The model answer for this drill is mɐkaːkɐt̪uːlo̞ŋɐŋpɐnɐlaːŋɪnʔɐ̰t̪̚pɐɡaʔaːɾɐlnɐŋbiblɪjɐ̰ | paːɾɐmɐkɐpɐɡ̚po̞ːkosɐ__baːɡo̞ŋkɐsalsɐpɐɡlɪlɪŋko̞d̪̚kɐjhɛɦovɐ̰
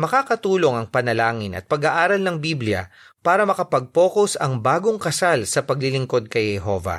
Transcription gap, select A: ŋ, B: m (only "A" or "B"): A